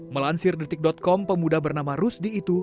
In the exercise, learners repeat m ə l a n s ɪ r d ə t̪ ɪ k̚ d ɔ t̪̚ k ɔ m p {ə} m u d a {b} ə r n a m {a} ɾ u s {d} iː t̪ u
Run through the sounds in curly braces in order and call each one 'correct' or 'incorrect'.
correct, correct, correct, correct

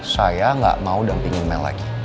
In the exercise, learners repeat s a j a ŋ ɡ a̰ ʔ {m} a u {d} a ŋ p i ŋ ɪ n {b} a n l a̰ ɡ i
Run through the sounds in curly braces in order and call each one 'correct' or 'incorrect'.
correct, correct, incorrect

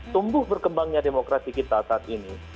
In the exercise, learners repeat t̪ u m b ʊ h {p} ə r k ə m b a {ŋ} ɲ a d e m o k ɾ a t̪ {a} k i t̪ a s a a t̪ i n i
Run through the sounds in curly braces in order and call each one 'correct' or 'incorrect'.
incorrect, correct, incorrect

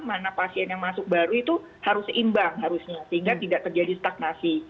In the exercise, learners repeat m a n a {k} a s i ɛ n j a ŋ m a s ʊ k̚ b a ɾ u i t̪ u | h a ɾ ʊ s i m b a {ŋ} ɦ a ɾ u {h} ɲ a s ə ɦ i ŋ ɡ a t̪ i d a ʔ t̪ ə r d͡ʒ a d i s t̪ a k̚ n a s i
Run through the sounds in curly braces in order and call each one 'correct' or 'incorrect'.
incorrect, correct, incorrect

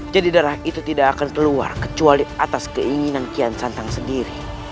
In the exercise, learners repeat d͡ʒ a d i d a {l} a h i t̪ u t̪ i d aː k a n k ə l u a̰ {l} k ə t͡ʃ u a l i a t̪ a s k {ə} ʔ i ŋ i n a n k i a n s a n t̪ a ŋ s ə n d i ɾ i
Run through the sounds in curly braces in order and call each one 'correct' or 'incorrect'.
incorrect, incorrect, correct

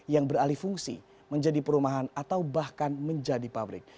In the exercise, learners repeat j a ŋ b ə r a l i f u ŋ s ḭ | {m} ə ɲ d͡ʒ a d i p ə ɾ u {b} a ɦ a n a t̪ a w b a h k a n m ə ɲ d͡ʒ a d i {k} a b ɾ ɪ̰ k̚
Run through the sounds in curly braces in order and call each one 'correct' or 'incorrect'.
correct, incorrect, incorrect

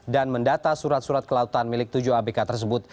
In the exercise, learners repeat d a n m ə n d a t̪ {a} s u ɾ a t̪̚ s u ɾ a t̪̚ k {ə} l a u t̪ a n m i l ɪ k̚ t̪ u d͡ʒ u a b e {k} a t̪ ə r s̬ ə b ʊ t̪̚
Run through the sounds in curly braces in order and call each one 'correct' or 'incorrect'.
correct, correct, correct

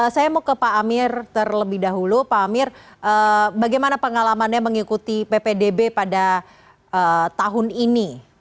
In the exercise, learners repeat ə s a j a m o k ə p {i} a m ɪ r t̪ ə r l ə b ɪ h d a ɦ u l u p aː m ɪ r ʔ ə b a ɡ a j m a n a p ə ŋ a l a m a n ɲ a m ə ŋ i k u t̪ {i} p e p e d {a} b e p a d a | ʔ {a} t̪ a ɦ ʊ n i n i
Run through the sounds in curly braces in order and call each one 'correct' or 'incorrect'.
incorrect, correct, incorrect, incorrect

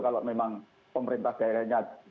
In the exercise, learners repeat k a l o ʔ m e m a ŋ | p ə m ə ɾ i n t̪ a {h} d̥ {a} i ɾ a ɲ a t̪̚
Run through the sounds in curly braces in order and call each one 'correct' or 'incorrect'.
correct, correct

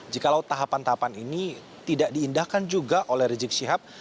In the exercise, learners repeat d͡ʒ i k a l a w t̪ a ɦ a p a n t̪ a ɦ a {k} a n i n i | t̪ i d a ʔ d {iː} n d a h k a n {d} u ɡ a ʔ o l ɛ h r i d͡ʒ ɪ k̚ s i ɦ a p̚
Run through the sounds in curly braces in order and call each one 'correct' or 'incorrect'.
incorrect, correct, incorrect

